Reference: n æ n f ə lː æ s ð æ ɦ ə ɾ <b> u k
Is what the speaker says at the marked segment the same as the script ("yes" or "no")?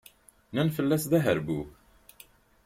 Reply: yes